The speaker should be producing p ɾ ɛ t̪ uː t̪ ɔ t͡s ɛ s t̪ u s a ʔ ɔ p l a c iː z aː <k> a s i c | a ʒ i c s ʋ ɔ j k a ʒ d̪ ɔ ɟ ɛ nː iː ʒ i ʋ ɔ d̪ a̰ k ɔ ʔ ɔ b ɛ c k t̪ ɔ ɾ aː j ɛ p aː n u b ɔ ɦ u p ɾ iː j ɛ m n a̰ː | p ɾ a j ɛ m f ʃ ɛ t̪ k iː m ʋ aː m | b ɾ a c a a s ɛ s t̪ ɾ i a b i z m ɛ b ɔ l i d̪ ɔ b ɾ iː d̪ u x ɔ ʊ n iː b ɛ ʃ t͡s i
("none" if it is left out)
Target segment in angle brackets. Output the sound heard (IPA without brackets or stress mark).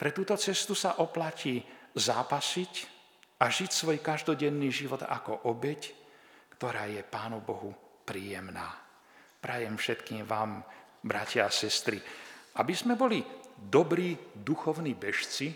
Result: p